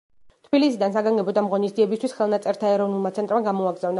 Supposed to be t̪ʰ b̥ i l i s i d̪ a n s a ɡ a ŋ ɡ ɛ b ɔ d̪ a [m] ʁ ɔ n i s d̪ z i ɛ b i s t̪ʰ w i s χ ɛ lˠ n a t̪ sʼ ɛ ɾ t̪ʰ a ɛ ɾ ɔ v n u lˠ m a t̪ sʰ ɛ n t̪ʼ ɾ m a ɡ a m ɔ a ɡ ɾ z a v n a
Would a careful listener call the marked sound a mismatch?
no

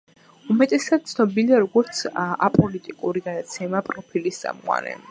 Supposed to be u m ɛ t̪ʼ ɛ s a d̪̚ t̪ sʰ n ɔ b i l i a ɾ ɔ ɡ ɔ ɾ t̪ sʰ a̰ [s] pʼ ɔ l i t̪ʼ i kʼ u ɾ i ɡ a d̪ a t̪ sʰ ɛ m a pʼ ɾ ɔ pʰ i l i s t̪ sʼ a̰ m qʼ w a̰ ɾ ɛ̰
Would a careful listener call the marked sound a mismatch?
yes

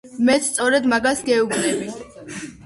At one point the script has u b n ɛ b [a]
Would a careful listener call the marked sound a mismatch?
yes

